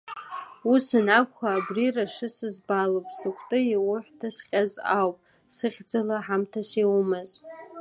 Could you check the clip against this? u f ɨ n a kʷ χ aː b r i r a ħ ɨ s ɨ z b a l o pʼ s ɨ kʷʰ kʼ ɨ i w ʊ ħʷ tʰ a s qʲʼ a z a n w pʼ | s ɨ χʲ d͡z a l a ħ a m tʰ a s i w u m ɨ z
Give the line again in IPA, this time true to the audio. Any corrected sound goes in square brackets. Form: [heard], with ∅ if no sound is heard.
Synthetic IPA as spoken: u [s] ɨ n a kʷ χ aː b r i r a [ʂ] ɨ s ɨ z b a l o pʼ s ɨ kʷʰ [tʼ] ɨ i w ʊ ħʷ tʰ a s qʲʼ a z a [∅] w pʼ | s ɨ χʲ d͡z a l a ħ a m tʰ a s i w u m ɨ z

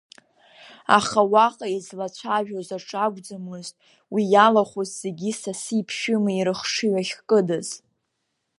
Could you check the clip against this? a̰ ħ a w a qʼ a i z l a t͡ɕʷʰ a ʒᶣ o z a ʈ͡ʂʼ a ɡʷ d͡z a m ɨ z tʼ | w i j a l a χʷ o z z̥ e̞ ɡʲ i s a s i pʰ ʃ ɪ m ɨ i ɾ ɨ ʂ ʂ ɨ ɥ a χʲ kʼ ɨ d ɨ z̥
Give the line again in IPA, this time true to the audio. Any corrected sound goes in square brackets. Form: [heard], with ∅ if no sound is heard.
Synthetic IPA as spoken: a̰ [χ] a w a qʼ a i z l a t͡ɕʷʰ a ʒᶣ o z a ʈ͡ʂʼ a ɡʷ d͡z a m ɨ z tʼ | w i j a l a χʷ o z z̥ e̞ ɡʲ i s a s i pʰ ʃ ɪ m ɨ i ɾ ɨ [χ] ʂ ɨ ɥ a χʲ kʼ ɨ d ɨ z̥

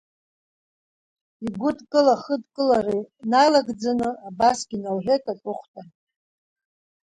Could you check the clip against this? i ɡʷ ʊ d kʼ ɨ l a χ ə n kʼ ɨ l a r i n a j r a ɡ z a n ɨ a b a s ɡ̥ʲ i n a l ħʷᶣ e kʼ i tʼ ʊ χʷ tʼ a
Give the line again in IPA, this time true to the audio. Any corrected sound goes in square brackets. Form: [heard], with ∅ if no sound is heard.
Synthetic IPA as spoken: i ɡʷ ʊ d kʼ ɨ l a χ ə [d] kʼ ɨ l a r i n a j [l] a ɡ [d͡z] a n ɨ a b a s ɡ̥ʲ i n a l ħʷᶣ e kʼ [a] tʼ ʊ χʷ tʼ a

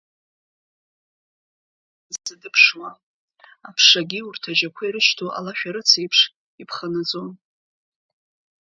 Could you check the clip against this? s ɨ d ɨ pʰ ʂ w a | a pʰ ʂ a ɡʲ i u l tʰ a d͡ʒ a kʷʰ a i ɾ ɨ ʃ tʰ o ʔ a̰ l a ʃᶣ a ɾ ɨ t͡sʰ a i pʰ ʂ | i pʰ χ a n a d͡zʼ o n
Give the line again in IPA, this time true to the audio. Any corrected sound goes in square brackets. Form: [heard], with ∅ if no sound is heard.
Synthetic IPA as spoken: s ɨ d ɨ pʰ ʂ w a | a pʰ ʂ a ɡʲ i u [r] tʰ a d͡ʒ a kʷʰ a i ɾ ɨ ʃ tʰ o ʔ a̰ l a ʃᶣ a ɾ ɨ t͡sʰ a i pʰ ʂ | i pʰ χ a n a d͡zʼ o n

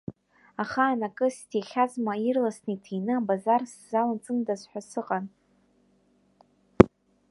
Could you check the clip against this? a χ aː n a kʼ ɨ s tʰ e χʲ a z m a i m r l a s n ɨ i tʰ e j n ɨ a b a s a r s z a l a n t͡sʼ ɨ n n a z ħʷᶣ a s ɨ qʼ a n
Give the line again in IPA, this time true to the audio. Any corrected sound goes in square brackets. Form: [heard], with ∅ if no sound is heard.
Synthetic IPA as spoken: a χ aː n a kʼ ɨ s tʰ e χʲ a z m a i [∅] r l a s n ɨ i tʰ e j n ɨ a b a [z] a r s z a l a n t͡sʼ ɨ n [d] a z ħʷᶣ a s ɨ qʼ a n

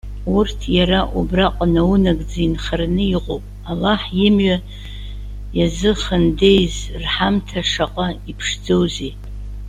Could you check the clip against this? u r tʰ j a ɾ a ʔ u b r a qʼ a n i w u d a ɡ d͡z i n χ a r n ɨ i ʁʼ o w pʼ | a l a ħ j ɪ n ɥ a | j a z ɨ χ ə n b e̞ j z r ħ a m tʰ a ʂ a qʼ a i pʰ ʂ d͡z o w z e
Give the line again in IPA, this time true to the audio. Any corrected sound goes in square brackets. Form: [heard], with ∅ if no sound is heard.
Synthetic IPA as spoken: u r tʰ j a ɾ a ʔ u b r a qʼ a n [a] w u [n] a ɡ d͡z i n χ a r n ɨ i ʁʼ o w pʼ | a l a ħ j ɪ [m] ɥ a | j a z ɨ χ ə n [d] e̞ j z r ħ a m tʰ a ʂ a qʼ a i pʰ ʂ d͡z o w z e

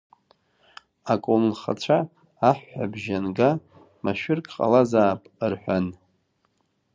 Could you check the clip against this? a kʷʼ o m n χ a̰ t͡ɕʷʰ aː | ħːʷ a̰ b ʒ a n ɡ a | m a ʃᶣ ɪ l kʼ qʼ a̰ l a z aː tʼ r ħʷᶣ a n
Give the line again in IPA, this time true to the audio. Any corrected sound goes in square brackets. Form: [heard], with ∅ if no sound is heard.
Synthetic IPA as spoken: a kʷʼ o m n χ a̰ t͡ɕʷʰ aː | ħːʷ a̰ b ʒ a n ɡ a | m a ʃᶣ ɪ [r] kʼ qʼ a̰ l a z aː [pʼ] r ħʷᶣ a n

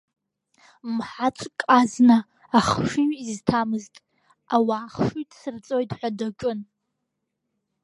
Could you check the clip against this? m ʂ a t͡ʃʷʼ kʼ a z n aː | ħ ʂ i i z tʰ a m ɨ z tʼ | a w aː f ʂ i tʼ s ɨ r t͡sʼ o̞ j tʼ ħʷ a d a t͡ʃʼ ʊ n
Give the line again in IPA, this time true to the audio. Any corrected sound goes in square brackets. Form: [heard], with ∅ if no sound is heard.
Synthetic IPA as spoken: m [ħ] a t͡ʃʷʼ kʼ a z n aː | [χ] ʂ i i z tʰ a m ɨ z tʼ | a w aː [χ] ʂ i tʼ s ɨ r t͡sʼ o̞ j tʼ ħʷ a d a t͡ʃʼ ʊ n

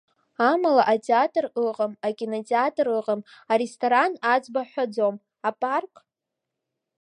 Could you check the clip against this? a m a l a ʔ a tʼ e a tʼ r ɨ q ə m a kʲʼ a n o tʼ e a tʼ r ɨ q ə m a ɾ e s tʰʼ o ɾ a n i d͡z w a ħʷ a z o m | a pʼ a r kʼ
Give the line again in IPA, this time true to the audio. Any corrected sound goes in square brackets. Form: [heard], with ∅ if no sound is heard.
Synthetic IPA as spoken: a m a l a ʔ a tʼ e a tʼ r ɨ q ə m a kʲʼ [i] n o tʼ e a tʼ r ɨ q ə m a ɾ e s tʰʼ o ɾ a n [a] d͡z [b] a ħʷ a [d͡z] o m | a pʼ a r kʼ

